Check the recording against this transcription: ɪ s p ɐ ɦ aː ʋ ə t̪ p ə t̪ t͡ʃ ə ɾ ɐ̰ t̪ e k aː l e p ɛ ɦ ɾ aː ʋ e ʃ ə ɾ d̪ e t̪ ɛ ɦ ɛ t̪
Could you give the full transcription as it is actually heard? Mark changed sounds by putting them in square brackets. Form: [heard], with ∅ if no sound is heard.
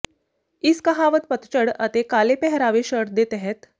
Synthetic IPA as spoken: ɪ s [k] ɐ ɦ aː ʋ ə t̪ p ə t̪ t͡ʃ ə [ɽ] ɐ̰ t̪ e k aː l e p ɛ ɦ ɾ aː ʋ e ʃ ə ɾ d̪ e t̪ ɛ ɦ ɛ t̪